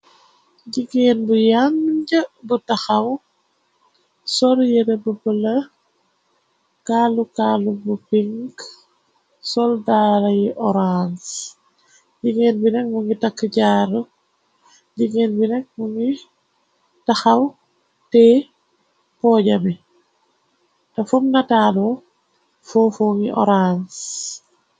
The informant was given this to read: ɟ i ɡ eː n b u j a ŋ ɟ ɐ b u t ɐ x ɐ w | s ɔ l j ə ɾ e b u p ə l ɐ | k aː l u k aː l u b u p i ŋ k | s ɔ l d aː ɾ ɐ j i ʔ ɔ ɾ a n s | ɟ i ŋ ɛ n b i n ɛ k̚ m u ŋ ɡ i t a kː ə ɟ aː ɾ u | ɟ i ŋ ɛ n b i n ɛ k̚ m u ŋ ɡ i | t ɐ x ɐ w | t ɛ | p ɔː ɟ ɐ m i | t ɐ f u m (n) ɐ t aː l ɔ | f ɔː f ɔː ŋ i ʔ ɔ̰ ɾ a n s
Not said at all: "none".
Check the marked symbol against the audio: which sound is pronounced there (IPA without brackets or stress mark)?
n